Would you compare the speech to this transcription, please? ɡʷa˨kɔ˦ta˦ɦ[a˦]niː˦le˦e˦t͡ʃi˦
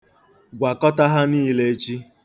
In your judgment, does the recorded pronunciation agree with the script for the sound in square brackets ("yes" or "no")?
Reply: yes